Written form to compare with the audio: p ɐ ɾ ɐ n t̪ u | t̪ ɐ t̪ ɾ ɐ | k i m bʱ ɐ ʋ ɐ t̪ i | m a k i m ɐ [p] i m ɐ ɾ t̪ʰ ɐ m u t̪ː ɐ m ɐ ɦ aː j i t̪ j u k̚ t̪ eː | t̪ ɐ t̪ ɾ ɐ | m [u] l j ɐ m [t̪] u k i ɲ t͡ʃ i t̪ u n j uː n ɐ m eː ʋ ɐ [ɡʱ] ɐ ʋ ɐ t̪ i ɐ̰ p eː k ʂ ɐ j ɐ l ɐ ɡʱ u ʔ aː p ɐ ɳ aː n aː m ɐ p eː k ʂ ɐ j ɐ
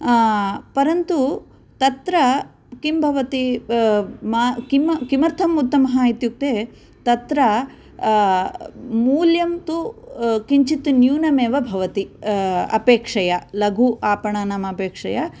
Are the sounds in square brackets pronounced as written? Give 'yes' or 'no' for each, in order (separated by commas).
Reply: no, no, yes, no